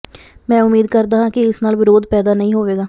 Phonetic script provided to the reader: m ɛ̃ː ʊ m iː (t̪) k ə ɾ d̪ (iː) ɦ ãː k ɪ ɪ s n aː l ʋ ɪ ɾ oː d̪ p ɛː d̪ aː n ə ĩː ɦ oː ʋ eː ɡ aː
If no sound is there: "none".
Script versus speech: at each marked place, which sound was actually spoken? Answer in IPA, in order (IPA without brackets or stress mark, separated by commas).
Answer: d̪, aː